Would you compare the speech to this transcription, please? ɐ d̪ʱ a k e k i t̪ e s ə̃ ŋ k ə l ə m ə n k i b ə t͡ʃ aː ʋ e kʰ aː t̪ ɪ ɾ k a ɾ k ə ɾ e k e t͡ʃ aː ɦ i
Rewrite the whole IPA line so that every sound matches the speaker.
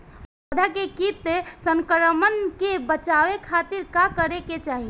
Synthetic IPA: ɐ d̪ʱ a k e k i t̪ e s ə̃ ŋ k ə ɾ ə m ə n k e b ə t͡ʃ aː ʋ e kʰ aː t̪ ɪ ɾ k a k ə ɾ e k e t͡ʃ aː ɦ i